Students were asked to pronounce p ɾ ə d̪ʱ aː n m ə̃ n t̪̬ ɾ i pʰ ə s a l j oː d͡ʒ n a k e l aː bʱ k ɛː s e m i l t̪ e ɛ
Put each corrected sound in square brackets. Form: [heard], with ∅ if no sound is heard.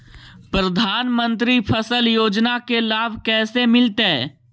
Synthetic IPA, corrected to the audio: p ɾ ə d̪ʱ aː n m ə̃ n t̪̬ ɾ i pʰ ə s [ə] l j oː d͡ʒ n a k e l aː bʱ k ɛː s e m [ɪ] l t̪ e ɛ